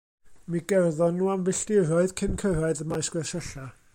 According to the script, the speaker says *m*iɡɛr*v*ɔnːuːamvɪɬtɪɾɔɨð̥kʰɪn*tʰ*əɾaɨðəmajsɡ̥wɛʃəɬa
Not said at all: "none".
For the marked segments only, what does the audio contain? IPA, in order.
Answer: m, ð, kʰ

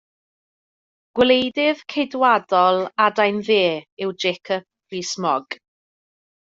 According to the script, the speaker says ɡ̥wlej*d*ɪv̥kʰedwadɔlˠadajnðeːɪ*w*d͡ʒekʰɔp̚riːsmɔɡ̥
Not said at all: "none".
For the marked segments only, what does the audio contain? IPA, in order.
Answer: d, w

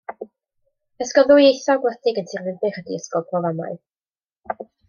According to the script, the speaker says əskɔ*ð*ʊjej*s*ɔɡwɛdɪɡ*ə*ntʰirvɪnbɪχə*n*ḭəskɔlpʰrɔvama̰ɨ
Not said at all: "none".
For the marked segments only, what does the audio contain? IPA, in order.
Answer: ð, θ, ə, d

